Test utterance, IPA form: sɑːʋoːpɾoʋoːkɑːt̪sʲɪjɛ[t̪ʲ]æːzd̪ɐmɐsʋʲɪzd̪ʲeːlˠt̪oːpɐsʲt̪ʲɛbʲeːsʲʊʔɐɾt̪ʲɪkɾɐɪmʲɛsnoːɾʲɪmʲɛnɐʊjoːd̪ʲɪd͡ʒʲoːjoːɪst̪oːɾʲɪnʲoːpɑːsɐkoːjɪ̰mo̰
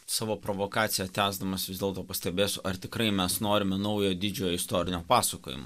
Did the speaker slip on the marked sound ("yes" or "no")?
no